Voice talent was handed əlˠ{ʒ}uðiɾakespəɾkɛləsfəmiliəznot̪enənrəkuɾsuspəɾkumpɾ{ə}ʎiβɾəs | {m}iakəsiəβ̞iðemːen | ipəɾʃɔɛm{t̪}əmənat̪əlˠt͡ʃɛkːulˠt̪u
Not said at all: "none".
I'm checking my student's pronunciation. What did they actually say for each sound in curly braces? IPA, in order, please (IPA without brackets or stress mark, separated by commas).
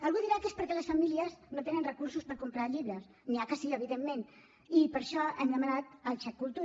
ɣ, a, n, d̪